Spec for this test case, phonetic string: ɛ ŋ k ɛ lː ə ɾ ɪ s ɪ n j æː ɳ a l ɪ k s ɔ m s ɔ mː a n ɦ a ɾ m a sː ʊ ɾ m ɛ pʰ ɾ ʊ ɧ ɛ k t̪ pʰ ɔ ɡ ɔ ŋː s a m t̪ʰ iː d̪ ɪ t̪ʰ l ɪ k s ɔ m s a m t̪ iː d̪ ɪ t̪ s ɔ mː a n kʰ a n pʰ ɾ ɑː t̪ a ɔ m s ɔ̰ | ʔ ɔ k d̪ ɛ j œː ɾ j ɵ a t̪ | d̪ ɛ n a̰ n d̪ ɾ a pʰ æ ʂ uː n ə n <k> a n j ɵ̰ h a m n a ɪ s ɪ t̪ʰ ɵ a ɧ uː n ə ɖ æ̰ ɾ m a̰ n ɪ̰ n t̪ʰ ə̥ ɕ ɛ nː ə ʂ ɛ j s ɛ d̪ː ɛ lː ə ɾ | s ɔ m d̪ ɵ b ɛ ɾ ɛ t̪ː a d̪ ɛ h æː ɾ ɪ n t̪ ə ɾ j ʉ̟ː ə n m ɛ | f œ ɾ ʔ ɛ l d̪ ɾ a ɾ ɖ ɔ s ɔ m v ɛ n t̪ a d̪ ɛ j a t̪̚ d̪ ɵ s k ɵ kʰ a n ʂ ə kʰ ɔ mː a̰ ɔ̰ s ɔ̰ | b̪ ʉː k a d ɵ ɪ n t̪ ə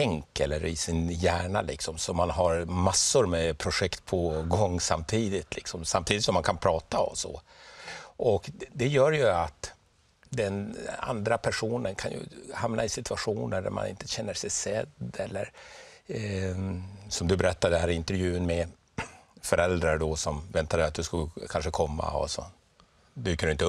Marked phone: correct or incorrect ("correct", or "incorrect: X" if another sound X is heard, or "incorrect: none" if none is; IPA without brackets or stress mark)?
incorrect: kʰ